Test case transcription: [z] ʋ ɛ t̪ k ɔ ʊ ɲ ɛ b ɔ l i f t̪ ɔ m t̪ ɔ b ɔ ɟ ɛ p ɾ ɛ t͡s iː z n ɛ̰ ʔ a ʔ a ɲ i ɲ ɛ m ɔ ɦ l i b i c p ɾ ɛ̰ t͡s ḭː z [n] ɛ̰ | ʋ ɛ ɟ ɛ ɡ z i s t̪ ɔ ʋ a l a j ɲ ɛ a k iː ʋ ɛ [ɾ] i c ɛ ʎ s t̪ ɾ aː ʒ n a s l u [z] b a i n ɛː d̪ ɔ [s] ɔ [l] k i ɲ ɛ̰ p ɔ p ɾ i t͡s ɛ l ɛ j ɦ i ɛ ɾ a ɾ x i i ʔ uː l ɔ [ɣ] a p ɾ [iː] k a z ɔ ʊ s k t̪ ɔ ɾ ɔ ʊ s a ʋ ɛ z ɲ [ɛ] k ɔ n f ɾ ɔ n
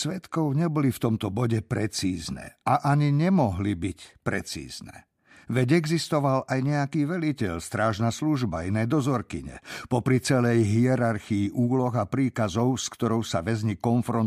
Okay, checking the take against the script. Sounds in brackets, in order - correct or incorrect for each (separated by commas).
incorrect, correct, incorrect, incorrect, incorrect, incorrect, correct, correct, incorrect